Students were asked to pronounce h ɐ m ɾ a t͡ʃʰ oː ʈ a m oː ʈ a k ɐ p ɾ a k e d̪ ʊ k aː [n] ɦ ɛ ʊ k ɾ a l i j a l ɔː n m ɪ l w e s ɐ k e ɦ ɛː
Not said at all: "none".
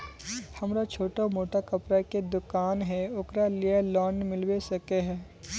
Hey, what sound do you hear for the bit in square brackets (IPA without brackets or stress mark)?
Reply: n